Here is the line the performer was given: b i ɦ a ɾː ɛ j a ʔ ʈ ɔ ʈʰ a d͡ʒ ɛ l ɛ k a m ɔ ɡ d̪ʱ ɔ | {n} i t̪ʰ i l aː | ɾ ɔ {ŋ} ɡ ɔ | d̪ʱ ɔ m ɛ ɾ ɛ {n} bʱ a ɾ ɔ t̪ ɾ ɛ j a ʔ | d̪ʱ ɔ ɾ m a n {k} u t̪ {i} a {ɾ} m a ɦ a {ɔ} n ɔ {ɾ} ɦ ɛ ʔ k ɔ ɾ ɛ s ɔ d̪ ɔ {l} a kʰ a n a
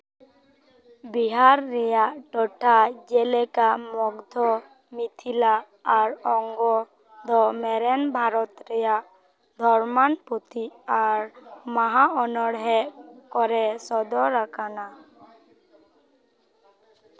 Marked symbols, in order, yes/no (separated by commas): no, yes, yes, no, yes, yes, yes, no, no